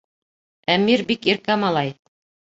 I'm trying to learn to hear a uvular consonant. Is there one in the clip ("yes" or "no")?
no